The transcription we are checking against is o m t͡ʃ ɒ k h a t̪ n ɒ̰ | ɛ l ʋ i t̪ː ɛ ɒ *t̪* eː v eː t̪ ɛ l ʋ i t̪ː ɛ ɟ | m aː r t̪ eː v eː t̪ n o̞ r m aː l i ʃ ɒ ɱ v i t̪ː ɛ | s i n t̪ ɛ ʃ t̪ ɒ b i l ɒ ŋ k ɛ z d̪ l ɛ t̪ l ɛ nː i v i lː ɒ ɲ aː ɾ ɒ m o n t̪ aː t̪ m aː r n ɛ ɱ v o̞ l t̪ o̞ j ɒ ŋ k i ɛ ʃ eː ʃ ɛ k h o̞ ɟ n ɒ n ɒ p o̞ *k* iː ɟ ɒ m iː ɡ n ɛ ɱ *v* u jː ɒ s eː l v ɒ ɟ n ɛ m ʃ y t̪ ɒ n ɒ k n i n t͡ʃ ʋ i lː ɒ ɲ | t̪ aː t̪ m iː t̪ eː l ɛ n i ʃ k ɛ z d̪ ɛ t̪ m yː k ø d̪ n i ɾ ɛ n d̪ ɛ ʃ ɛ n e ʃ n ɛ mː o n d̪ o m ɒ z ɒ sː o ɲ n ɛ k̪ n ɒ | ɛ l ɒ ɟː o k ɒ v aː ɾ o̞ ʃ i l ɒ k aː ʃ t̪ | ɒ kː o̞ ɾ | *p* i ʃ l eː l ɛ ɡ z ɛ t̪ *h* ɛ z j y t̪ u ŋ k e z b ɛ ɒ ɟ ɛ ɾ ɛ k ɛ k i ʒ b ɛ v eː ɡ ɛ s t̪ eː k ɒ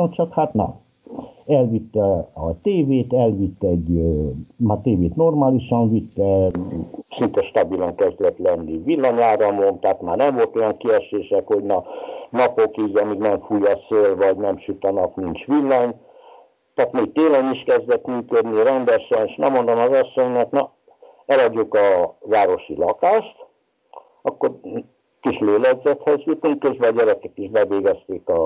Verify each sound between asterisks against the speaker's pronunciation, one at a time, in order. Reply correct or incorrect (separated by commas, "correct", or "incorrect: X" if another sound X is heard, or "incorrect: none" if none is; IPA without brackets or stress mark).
correct, correct, incorrect: f, incorrect: k, correct